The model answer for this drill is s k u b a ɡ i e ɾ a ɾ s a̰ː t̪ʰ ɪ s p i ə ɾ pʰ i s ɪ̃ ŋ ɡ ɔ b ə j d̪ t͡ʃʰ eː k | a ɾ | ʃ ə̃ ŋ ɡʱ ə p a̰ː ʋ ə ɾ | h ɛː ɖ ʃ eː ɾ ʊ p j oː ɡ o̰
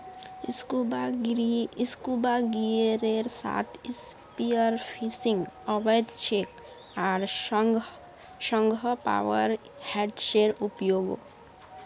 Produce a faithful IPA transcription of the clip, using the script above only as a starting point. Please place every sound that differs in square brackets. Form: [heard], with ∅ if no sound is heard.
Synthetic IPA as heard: s k u b a ɡ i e ɾ [e] ɾ s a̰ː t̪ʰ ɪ s p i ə ɾ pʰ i s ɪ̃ ŋ ɡ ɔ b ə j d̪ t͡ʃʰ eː k | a ɾ | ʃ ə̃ ŋ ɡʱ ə p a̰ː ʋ ə ɾ | h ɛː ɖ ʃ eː ɾ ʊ p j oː ɡ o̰